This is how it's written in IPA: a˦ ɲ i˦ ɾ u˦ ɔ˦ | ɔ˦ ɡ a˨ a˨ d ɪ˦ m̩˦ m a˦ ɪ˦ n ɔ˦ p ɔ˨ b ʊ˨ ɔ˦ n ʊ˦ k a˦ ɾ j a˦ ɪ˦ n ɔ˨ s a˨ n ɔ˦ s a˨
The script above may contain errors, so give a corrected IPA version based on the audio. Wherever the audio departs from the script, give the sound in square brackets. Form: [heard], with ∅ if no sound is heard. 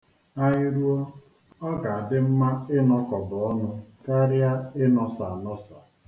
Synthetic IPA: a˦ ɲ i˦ ɾ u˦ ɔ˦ | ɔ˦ ɡ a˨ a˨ d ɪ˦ m̩˦ m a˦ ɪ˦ n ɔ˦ [k] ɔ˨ b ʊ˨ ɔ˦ n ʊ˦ k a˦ ɾ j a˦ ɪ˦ n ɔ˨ s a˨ n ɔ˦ s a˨